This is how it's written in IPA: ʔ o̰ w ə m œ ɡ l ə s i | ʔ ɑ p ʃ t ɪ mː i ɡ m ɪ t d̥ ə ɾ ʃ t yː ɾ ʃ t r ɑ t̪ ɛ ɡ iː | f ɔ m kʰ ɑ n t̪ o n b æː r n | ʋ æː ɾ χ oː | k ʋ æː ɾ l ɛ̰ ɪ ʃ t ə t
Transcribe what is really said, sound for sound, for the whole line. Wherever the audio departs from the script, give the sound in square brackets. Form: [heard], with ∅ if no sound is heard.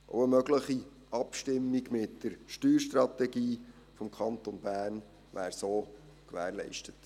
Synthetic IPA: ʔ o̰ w ə m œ ɡ l ə [χ] i | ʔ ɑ p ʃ t ɪ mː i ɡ m ɪ t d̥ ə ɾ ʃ t yː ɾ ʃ t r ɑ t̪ ɛ ɡ iː | f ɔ m kʰ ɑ n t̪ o n b æː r n | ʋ æː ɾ [s] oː | k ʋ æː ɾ l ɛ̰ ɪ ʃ t ə t